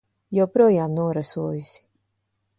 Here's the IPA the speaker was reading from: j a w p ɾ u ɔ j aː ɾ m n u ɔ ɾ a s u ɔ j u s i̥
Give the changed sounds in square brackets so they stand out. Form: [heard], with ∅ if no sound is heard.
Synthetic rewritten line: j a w p ɾ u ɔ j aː [∅] m n u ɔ ɾ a s u ɔ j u s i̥